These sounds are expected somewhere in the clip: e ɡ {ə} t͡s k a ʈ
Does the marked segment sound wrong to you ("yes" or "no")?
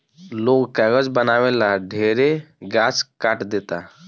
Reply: yes